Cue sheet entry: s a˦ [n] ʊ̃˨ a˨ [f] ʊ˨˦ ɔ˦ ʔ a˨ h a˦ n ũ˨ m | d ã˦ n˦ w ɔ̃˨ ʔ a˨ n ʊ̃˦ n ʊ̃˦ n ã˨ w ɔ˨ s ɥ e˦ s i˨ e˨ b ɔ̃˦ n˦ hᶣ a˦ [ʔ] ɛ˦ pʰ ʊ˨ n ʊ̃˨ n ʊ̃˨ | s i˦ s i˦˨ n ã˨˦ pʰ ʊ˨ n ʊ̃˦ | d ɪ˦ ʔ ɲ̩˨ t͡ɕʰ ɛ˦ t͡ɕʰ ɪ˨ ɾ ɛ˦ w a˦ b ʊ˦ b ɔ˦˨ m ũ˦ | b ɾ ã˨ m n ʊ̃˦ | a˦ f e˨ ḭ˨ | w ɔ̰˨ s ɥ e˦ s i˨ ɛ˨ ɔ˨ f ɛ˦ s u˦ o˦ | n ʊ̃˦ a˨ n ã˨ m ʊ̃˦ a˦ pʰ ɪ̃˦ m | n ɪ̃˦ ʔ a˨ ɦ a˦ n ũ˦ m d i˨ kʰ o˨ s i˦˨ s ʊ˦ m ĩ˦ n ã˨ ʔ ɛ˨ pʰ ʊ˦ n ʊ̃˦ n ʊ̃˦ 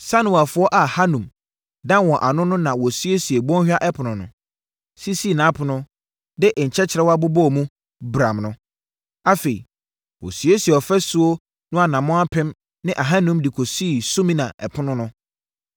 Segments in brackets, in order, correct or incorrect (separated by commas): correct, correct, correct